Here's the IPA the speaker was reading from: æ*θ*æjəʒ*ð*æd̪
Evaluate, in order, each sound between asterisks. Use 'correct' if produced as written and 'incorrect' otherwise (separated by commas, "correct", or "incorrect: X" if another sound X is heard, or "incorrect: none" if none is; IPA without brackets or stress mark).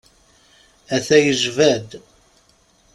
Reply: correct, incorrect: v